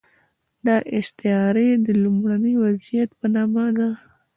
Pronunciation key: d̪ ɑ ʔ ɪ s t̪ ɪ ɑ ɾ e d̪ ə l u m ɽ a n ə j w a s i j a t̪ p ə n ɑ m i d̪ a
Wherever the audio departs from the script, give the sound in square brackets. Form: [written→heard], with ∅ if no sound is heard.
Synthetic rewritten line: d̪ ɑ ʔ ɪ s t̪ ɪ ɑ ɾ e d̪ ə l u m ɽ a n ə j w a [s→z] i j a t̪ p ə n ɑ m [i→a] d̪ a